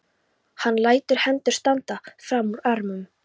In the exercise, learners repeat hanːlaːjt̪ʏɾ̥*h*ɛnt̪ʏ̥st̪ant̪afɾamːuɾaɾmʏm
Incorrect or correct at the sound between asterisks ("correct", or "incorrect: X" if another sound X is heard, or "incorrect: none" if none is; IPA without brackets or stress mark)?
correct